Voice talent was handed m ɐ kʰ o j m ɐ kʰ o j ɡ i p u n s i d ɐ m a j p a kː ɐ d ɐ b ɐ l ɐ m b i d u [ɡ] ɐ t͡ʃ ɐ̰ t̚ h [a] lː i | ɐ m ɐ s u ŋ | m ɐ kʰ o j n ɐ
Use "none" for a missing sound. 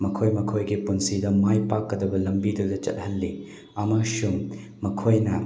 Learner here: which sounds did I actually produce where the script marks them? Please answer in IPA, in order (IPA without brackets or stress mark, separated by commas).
d, ɐ